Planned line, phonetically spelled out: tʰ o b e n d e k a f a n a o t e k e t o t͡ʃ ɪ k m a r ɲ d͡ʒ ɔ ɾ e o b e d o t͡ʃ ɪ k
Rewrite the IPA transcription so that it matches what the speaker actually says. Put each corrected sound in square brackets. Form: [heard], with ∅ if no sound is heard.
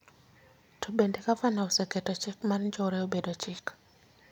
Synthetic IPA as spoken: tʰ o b e n d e k a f a n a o [s] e k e t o t͡ʃ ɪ k m a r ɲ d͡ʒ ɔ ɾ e o b e d o t͡ʃ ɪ k

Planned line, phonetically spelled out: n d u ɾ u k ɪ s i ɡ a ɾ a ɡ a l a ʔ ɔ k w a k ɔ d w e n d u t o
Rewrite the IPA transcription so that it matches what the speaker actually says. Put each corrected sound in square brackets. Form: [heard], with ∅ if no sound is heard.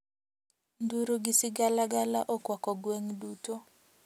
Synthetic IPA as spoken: n d u ɾ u [ɡ] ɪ s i ɡ a [l] a ɡ a l a ʔ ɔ k w a k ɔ [ɡ] w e [ŋ] d u t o

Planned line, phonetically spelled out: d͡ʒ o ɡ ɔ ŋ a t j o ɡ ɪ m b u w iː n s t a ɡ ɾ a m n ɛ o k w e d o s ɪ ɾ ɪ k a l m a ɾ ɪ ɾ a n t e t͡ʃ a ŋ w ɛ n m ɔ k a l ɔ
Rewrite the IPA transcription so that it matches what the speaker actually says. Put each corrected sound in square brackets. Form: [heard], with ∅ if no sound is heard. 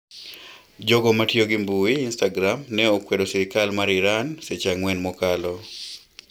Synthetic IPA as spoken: d͡ʒ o ɡ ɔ [m] a t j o ɡ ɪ m b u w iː n s t a ɡ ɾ a m n ɛ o k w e d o s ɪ ɾ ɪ k a l m a ɾ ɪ ɾ a n [s] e t͡ʃ a ŋ w ɛ n m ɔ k a l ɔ

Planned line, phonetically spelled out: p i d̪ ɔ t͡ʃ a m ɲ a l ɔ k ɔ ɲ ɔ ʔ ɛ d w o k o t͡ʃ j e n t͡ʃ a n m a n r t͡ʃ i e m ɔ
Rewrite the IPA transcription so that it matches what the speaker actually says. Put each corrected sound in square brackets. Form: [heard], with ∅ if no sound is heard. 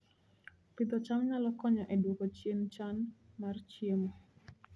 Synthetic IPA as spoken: p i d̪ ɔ t͡ʃ a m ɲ a l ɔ k ɔ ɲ ɔ ʔ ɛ d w o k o t͡ʃ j e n t͡ʃ a n m a [∅] r t͡ʃ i e m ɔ

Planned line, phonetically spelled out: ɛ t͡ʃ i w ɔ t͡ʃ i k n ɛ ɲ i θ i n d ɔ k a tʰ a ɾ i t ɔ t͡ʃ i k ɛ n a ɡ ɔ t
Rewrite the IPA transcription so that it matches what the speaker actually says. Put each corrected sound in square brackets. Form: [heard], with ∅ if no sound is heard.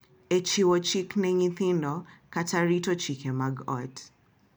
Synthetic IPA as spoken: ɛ t͡ʃ i w ɔ t͡ʃ i k n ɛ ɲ i θ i n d ɔ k a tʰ a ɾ i t ɔ t͡ʃ i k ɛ [m] a ɡ ɔ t

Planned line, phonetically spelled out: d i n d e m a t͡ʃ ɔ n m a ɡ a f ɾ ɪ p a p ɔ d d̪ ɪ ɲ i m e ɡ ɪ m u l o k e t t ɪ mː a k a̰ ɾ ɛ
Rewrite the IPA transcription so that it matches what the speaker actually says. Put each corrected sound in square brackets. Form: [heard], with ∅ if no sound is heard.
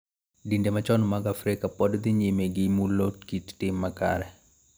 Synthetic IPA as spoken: d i n d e m a t͡ʃ ɔ n m a ɡ a f ɾ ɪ [k] a p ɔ d d̪ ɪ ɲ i m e ɡ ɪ m u l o k [i] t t ɪ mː a k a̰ ɾ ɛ

